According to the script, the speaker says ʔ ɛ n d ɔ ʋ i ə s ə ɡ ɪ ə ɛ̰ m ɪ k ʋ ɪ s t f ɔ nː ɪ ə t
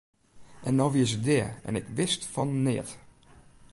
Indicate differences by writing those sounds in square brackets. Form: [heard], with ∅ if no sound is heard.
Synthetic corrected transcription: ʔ ɛ n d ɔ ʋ i ə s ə [d] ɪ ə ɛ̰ [n] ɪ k ʋ ɪ s t f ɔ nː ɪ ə t

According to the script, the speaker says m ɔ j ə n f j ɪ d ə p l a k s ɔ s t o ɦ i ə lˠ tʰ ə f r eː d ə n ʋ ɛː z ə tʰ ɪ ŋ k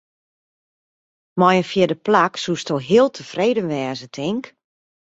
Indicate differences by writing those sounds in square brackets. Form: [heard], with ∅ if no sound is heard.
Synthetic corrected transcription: m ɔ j ə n f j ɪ d ə p l a k s [u] s t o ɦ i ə lˠ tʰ ə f r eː d ə n ʋ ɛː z ə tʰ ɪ ŋ k

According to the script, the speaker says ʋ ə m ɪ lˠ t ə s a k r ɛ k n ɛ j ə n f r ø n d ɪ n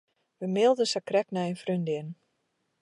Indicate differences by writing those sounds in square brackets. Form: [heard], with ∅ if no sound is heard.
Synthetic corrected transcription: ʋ ə m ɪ lˠ [d] ə s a k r ɛ k n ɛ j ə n f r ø n d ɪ n

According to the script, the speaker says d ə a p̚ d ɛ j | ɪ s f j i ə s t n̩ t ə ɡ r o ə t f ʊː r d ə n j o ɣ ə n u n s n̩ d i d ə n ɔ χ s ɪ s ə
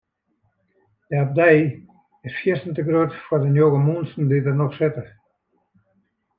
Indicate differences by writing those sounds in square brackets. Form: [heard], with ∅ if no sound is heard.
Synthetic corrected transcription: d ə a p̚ d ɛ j | ɪ s f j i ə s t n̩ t ə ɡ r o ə t f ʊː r d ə n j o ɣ ə [m] u n s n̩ d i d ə n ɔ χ s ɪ [t] ə

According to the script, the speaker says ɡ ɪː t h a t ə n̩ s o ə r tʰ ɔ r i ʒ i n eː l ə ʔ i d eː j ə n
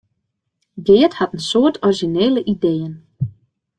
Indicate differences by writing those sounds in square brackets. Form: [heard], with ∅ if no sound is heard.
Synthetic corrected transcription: ɡ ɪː t h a t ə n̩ s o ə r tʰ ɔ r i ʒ i n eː l ə ʔ i d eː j ə n

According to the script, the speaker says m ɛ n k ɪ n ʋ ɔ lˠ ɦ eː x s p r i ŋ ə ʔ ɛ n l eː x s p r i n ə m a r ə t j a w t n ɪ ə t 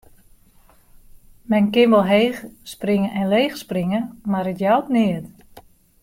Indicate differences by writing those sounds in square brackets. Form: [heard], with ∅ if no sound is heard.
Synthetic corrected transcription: m ɛ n k ɪ n ʋ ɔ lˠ ɦ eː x s p r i ŋ ə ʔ ɛ n l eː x s p r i [ŋ] ə m a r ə t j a w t n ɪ ə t

